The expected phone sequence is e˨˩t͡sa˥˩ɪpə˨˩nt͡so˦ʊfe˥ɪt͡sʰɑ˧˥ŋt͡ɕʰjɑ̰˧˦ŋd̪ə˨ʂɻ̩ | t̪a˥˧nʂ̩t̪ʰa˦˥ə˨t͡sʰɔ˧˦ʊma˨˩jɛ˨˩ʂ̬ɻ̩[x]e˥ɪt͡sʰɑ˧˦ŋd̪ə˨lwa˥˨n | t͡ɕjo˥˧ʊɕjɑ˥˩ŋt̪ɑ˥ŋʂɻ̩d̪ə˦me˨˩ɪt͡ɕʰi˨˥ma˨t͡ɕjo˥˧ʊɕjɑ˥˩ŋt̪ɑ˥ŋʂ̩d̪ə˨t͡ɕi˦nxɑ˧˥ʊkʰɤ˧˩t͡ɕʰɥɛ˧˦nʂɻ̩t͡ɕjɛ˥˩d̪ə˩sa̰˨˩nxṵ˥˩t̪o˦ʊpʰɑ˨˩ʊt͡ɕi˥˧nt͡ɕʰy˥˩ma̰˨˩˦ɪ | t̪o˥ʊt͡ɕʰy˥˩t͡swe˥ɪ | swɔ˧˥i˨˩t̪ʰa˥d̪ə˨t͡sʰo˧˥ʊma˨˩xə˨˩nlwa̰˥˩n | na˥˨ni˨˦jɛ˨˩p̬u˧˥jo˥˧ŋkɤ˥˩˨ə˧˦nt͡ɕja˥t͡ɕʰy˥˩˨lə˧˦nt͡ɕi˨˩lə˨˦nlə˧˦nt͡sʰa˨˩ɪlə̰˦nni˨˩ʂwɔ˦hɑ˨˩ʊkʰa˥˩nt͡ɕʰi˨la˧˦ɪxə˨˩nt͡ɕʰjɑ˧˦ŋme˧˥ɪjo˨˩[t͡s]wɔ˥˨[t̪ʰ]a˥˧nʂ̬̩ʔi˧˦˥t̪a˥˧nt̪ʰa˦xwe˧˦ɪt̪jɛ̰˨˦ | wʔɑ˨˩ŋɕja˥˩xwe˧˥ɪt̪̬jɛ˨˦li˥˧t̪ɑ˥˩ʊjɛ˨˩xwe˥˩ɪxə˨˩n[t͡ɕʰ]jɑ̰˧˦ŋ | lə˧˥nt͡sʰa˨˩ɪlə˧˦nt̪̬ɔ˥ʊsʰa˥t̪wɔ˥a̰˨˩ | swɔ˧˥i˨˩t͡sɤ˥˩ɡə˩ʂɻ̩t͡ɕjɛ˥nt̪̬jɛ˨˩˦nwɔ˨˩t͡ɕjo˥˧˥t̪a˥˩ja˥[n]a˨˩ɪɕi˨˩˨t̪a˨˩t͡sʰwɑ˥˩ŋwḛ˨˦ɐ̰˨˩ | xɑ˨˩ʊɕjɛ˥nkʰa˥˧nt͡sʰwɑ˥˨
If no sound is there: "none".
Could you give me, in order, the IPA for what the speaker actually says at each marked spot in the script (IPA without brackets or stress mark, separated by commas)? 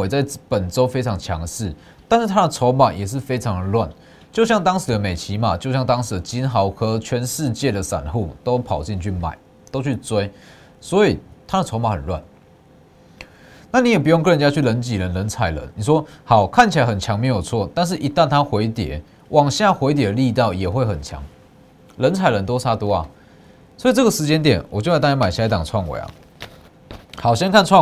f, t͡sʰ, t̪, t͡ɕʰ, m